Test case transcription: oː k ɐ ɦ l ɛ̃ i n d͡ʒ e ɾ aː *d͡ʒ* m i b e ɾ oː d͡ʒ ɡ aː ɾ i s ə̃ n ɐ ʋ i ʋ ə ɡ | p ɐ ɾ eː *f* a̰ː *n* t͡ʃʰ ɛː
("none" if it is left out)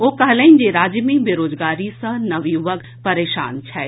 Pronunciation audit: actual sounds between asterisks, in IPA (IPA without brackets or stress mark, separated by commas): d͡ʒ, ʃ, n